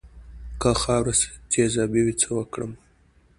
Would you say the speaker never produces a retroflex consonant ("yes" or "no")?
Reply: no